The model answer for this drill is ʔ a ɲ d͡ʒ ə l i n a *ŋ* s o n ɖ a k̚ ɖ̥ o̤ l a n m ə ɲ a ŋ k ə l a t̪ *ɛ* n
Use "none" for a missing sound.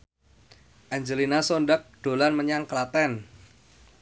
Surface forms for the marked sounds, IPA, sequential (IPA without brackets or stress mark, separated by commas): none, ɛ